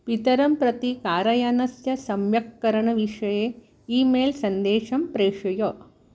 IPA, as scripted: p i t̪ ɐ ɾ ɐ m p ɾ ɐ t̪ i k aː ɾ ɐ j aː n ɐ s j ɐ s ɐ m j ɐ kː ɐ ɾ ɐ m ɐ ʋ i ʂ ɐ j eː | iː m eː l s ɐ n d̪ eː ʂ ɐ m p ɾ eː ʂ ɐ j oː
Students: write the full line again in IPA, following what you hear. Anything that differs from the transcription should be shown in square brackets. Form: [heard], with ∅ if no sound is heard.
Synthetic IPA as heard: p i t̪ ɐ ɾ ɐ m p ɾ ɐ t̪ i k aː ɾ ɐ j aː n ɐ s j ɐ s ɐ m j ɐ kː ɐ ɾ ɐ [ɳ] ɐ ʋ i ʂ ɐ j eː | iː m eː l s ɐ n d̪ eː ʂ ɐ m p ɾ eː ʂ ɐ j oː